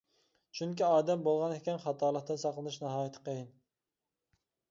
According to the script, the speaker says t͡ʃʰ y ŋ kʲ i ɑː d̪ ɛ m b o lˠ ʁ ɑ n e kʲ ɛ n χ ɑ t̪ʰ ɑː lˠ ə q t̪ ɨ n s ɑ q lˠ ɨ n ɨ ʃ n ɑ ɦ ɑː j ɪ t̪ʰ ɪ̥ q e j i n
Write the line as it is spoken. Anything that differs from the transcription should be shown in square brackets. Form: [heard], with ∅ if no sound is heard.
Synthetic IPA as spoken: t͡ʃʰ y ŋ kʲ i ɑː d̪ ɛ m b o lˠ ʁ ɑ n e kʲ ɛ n χ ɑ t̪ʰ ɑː lˠ ə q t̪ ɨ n s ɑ q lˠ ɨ n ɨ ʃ n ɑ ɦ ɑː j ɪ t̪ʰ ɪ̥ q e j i n